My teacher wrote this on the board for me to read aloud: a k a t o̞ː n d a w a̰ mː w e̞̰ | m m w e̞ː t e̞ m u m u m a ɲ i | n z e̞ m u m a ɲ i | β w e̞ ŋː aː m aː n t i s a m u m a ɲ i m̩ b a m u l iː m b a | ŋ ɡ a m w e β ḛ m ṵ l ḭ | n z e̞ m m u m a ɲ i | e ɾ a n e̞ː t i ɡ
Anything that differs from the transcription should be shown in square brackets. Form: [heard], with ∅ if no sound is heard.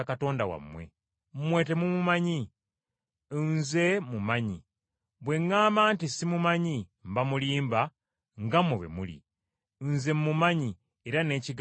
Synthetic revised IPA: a k a t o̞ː n d a w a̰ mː w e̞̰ | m m w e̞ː t e̞ m u m u m a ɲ i | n z e̞ m u m a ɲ i | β w e̞ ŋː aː m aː n t i s [i] m u m a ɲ i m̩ b a m u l iː m b a | ŋ ɡ a m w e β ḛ m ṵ l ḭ | n z e̞ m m u m a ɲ i | e ɾ a n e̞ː [c] i ɡ